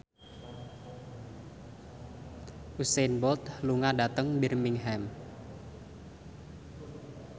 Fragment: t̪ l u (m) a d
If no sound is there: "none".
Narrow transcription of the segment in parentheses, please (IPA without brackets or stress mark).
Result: ŋ